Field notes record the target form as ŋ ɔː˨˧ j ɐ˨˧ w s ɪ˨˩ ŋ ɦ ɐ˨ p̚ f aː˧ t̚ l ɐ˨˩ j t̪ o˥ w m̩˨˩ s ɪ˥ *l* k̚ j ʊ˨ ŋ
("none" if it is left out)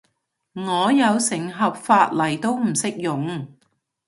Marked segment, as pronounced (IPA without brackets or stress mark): none